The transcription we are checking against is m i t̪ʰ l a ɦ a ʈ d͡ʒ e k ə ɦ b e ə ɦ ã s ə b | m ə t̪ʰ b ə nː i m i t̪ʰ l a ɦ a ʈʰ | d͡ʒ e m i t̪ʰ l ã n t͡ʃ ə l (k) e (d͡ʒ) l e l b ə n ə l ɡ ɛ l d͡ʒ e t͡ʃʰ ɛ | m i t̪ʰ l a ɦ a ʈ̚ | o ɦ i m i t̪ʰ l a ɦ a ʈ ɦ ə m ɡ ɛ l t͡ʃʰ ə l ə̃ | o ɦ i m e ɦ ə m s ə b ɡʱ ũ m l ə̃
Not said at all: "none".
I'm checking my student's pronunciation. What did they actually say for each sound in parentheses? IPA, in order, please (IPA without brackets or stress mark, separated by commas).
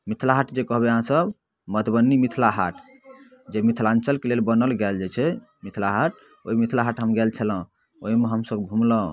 k, none